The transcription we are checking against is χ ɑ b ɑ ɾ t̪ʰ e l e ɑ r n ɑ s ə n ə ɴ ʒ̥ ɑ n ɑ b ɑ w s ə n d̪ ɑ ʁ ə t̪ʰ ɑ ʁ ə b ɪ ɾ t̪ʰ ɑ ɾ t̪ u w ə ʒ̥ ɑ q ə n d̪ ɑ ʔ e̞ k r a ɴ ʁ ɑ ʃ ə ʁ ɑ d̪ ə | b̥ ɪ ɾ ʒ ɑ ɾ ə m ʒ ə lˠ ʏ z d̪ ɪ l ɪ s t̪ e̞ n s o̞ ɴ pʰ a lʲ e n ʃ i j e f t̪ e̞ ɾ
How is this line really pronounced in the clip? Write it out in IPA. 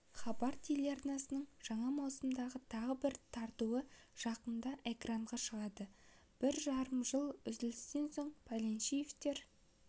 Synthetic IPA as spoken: χ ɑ b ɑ ɾ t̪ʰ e l e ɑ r n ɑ s ə n ə ɴ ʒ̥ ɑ ɴ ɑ m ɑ w s ə m d̪ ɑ ʁ ə t̪ʰ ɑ ʁ ə b ɪ ɾ t̪ʰ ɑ ɾ t̪ u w ə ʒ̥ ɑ q ə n d̪ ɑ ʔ e̞ k r a ɴ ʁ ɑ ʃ ə ʁ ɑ d̪ ə | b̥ ɪ ɾ ʒ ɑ ɾ ə m ʒ ə lˠ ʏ z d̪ ɪ l ɪ s t̪ e̞ n s o̞ ɴ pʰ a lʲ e n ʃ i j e f t̪ e̞ ɾ